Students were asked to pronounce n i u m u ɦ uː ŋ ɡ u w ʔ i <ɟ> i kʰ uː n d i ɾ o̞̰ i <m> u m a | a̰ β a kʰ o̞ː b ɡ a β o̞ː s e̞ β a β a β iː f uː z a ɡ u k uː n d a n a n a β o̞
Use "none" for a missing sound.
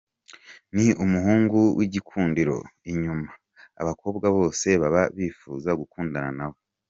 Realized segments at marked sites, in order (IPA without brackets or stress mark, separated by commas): ɟ, ɲ